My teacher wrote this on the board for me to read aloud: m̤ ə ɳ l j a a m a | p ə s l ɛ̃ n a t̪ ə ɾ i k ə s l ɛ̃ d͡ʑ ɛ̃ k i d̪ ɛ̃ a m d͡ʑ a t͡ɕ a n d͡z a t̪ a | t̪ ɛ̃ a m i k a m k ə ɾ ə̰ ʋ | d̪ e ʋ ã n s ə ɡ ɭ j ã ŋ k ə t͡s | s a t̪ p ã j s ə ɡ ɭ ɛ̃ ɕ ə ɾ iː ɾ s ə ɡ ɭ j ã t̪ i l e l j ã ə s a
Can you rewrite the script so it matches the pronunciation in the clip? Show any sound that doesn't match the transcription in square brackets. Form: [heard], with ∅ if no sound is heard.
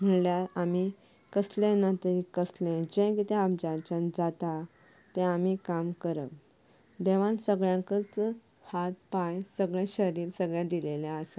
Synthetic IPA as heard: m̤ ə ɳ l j a a m [i] | [k] ə s l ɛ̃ n a t̪ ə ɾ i k ə s l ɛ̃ d͡ʑ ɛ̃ k i [t̪] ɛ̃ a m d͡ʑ a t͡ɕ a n d͡z a t̪ a | t̪ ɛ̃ a m i k a m k ə ɾ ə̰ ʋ | d̪ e ʋ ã n s ə ɡ ɭ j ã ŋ k ə t͡s | [h] a t̪ p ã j s ə ɡ ɭ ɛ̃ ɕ ə ɾ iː ɾ s ə ɡ ɭ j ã [d̪] i l e l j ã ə s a